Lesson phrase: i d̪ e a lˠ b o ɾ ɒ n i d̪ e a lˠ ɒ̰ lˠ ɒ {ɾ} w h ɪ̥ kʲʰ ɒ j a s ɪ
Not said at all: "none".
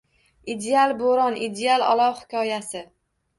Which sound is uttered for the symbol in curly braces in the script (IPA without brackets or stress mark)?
none